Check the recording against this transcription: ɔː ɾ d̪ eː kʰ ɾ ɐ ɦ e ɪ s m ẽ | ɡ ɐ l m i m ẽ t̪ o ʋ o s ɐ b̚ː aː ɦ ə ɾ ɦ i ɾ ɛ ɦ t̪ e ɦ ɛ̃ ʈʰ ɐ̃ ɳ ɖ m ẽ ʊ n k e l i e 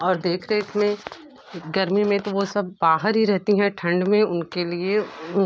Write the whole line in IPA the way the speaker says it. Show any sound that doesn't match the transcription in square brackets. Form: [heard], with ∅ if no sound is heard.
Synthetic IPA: ɔː ɾ d̪ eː kʰ ɾ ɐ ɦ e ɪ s m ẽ | ɡ ɐ [ɾ] m i m ẽ t̪ o ʋ o s ɐ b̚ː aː ɦ ə ɾ ɦ i ɾ ɛ ɦ t̪ [i] ɦ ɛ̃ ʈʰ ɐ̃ ɳ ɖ m ẽ ʊ n k e l i e